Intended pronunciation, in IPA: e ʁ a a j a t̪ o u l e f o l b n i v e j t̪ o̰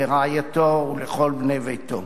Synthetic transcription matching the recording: e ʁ a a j a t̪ o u l e χ o l b n e v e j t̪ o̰